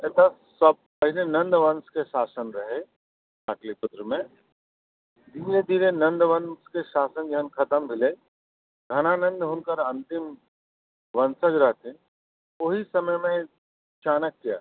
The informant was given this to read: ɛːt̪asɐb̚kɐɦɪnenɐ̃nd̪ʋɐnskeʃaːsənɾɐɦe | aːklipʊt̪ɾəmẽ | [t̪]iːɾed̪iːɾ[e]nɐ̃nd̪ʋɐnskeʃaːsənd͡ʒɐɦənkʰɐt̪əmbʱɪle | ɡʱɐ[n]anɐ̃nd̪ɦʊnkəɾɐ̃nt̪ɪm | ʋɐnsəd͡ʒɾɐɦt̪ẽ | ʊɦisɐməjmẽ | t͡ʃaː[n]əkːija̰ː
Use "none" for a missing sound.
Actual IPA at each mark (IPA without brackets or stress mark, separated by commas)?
d̪, e, n, n